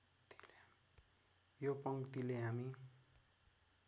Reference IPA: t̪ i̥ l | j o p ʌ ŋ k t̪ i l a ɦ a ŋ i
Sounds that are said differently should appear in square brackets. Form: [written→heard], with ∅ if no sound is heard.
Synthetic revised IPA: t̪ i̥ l | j o p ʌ ŋ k t̪ i l [a→e] ɦ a [ŋ→m] i